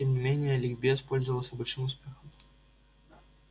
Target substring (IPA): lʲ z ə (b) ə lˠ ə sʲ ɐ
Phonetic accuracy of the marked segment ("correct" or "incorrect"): incorrect